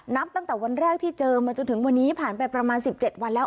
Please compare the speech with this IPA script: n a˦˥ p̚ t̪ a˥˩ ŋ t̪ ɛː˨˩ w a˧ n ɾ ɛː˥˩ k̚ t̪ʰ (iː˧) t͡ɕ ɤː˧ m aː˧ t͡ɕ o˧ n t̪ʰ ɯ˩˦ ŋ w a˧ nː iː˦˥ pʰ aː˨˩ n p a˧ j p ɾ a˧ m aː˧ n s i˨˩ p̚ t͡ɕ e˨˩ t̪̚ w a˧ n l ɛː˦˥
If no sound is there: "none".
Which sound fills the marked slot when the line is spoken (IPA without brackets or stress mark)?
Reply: iː˥˩